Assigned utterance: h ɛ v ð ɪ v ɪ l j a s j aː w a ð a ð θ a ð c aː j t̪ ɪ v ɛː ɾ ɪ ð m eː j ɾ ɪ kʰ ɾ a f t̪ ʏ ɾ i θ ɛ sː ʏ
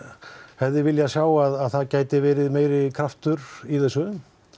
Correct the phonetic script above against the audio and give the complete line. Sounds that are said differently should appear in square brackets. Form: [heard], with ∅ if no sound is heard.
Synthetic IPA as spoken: h ɛ v ð ɪ v ɪ l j a s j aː w a ð a ð θ a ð c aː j t̪ ɪ v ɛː ɾ ɪ ð m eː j ɾ ɪ kʰ ɾ a f t̪ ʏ ɾ i θ ɛ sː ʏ